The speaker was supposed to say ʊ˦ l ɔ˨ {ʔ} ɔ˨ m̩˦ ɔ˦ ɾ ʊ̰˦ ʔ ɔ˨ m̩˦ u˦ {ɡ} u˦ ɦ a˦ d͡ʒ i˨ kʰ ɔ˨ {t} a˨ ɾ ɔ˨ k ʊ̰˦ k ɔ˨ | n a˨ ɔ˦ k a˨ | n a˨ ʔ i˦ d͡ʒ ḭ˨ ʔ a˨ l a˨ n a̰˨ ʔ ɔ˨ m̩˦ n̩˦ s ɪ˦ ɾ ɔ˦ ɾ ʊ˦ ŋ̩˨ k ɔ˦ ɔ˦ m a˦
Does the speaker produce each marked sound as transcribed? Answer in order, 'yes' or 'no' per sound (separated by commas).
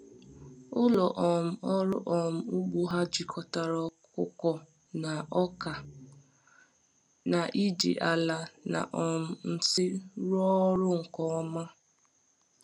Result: yes, no, yes